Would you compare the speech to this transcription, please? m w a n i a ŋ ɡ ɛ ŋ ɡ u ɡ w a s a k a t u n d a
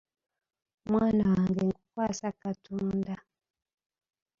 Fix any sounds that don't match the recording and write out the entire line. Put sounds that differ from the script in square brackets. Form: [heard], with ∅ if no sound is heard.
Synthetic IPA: m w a n [a] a ŋ ɡ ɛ ŋ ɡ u [k] w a s a k a t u n d a